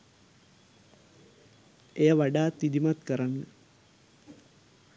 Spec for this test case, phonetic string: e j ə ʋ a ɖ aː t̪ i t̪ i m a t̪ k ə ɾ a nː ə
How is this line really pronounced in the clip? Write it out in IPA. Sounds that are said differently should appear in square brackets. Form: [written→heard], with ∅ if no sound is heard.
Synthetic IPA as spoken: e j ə ʋ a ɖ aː t̪ i [t̪→d̪] i m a t̪ k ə ɾ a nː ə